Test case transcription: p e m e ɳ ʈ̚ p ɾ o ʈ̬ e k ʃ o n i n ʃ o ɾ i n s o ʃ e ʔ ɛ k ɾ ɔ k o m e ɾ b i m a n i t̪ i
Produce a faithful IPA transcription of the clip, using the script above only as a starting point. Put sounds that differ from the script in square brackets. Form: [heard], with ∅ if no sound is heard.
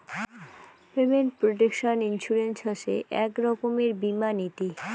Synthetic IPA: p e m e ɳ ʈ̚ p ɾ o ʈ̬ e k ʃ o n i n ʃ [u] ɾ [e] n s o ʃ e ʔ ɛ k ɾ ɔ k o m e ɾ b i m a n i t̪ i